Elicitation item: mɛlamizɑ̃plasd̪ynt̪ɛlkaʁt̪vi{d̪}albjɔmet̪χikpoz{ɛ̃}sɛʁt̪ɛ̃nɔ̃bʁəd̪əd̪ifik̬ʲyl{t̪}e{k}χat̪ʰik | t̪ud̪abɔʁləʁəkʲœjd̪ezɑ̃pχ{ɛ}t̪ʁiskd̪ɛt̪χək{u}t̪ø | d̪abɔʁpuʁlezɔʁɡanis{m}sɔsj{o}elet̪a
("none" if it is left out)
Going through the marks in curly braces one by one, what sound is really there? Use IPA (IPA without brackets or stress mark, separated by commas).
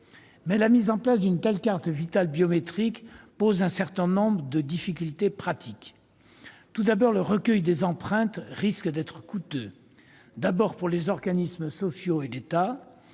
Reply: t̪, ɛ̃, t̪, p, ɛ̃, u, m, o